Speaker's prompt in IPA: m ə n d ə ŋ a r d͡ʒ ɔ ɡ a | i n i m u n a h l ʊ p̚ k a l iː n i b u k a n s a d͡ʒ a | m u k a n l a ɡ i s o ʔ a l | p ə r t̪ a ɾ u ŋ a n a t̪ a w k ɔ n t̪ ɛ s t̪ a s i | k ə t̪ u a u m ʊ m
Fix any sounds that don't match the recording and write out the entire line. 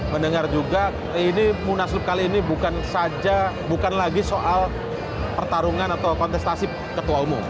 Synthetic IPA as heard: m ə n d ə ŋ a r d͡ʒ u ɡ a | i n i m u n a s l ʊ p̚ k a l iː n i b u k a n s a d͡ʒ a | b u k a n l a ɡ i s o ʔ a l | p ə r t̪ a ɾ u ŋ a n a t̪ a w k ɔ n t̪ ɛ s t̪ a s i | k ə t̪ u a u m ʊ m